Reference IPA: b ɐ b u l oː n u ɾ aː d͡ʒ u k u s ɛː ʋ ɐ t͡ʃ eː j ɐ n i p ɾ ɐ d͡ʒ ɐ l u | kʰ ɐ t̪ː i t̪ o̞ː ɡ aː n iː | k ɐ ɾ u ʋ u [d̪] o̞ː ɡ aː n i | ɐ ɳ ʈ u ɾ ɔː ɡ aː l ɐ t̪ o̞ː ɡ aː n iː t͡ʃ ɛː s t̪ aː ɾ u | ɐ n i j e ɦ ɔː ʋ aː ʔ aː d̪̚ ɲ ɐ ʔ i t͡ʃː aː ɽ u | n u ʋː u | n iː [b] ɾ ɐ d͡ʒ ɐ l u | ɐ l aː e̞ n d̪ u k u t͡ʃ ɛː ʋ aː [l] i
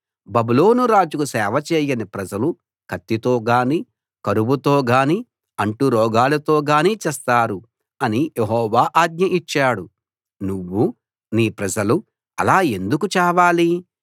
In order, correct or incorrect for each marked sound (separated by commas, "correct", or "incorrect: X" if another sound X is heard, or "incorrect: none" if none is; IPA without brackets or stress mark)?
incorrect: t̪, incorrect: p, correct